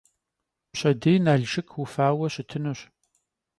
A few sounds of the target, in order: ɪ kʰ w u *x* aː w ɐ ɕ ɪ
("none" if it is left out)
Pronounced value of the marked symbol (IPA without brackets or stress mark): f